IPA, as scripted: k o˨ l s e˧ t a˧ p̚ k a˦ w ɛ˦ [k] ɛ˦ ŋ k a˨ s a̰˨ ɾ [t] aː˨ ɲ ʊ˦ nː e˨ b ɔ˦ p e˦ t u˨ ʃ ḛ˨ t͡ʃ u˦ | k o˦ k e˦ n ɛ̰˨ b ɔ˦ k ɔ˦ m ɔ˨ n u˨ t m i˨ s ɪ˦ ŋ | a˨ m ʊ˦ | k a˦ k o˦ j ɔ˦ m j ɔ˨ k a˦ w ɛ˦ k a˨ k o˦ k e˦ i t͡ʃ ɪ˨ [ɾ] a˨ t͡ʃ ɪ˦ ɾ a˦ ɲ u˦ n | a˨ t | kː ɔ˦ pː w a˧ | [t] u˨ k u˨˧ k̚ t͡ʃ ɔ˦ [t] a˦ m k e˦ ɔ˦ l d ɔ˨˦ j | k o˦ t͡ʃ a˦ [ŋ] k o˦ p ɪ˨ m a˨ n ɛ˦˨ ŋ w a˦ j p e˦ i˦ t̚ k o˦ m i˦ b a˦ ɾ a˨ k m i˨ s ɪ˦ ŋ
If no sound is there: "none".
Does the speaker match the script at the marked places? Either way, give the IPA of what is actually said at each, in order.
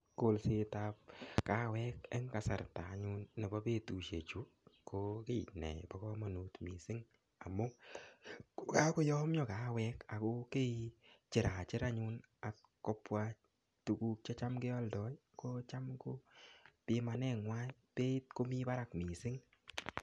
k, t, ɾ, t, t͡ʃ, m

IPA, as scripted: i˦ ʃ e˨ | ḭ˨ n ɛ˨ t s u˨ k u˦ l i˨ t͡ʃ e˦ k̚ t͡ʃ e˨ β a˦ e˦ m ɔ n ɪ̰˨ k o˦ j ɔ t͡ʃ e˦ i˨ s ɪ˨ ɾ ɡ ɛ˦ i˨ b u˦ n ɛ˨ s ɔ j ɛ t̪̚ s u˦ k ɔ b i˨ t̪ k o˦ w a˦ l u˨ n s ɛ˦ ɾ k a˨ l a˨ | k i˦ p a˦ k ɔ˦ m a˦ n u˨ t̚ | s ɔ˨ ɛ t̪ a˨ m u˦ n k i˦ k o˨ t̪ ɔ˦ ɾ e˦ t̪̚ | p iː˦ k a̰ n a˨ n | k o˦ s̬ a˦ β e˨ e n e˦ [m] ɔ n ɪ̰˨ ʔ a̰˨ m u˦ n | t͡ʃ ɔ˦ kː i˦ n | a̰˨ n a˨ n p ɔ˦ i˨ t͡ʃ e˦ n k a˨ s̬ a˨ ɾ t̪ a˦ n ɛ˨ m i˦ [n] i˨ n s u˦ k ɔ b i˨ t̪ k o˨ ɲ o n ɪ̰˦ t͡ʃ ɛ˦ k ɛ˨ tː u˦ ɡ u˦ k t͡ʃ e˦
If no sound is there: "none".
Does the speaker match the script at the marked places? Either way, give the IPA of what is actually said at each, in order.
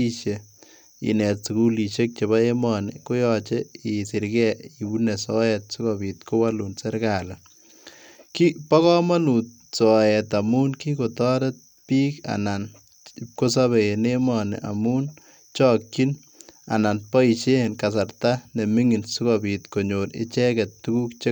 m, ŋ

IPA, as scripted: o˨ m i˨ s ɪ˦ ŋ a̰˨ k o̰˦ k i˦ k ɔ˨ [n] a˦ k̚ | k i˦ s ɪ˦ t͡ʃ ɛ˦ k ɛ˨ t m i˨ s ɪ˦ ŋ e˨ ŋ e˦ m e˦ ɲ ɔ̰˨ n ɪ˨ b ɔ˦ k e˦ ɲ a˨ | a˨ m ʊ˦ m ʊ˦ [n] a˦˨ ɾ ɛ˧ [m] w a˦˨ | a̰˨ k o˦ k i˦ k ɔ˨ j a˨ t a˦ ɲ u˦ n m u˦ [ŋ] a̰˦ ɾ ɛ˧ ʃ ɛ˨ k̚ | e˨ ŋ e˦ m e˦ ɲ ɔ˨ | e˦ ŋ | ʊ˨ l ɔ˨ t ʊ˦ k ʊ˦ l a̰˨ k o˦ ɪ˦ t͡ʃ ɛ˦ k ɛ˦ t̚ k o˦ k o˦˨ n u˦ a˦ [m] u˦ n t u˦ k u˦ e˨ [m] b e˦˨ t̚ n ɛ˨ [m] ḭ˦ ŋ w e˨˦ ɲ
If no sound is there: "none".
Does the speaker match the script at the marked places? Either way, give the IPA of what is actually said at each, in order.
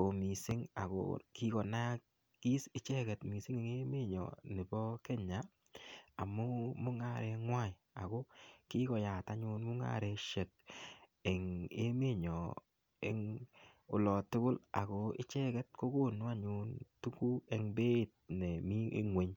n, ŋ, ŋ, ŋ, ɲ, ŋ, m

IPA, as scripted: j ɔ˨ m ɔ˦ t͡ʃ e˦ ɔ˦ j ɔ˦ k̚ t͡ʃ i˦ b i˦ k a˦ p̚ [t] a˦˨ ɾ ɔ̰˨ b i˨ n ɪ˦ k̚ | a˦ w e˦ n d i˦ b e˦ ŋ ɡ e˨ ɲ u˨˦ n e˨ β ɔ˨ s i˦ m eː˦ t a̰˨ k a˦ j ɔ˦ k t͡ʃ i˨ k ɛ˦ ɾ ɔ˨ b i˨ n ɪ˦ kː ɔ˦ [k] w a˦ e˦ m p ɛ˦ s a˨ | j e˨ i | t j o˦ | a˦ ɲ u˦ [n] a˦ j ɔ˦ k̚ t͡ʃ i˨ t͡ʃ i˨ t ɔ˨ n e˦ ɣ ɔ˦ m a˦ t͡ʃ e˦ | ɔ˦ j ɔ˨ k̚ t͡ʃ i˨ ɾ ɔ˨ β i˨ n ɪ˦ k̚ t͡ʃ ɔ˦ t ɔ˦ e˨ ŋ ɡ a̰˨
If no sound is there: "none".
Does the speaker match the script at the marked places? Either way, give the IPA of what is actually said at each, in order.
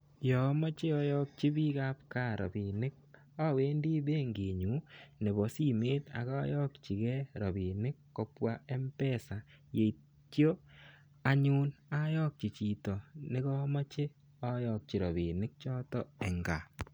k, p, n

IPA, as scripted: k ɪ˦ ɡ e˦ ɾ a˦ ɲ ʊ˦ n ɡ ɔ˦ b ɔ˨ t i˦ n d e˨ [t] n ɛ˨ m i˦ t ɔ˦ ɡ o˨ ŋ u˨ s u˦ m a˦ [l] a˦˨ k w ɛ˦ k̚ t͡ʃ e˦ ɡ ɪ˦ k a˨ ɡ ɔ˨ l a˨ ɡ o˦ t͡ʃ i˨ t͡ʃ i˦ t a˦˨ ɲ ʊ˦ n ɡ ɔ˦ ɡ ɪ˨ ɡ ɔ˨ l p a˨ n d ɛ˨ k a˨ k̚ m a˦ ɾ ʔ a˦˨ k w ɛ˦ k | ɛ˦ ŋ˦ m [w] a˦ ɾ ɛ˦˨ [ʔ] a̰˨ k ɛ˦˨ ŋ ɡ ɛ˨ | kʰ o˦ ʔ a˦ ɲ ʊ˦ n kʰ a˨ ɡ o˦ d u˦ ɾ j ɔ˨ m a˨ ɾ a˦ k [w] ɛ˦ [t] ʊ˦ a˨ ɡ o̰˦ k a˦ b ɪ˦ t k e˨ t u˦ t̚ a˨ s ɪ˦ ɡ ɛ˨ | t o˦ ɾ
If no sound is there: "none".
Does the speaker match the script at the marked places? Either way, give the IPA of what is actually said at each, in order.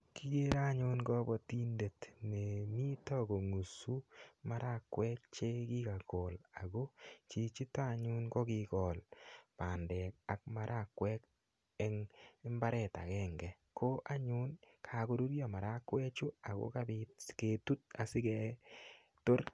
t, ɾ, b, t, w, t͡ʃ

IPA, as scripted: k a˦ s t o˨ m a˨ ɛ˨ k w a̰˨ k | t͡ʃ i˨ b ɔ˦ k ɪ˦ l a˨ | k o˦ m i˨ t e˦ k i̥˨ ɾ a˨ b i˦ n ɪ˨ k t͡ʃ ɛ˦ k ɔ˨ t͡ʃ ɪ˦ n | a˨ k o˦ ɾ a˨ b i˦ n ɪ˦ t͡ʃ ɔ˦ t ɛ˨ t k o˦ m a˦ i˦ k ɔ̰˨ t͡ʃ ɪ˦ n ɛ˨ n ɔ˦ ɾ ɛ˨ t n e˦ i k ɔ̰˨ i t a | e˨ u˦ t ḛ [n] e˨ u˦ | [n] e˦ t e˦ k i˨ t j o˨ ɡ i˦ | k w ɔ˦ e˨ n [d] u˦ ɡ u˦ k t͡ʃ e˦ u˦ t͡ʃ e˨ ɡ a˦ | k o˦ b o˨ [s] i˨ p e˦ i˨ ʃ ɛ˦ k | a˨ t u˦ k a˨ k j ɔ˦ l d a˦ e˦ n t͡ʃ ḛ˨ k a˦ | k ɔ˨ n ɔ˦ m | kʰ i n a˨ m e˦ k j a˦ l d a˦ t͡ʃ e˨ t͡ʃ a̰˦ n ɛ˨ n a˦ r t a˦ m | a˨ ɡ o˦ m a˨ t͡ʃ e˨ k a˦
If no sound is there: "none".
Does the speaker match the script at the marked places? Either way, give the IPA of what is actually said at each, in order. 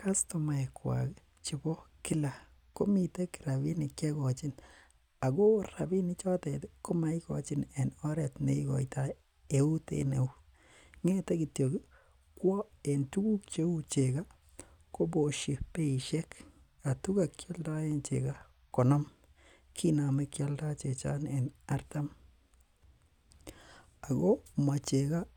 n, ŋ, t, ʃ

